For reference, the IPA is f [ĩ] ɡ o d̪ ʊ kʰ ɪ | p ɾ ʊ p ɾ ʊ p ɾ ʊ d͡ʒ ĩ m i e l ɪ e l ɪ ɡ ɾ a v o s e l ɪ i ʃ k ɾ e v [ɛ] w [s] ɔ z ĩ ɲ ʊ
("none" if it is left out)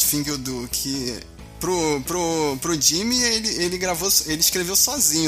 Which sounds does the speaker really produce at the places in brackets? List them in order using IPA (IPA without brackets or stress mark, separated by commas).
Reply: ĩ, e, s